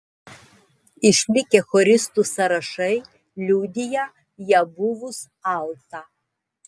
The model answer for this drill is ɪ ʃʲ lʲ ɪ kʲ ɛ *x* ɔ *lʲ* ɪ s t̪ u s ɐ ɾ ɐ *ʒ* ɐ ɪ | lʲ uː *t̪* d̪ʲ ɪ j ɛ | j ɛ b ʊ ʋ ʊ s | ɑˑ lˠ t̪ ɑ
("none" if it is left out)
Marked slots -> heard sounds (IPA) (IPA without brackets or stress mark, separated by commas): x, ɾʲ, ʃ, none